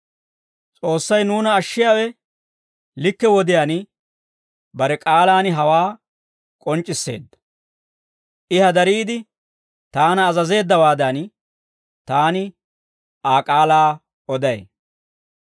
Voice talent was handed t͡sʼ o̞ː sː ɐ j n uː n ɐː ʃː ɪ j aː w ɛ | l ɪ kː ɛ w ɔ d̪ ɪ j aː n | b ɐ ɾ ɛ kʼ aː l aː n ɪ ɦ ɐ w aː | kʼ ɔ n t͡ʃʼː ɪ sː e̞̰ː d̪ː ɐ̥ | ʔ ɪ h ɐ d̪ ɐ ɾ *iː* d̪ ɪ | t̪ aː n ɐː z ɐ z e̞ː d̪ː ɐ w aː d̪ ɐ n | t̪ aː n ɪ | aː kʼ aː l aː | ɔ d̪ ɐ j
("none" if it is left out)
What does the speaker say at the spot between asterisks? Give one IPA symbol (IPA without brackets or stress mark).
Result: iː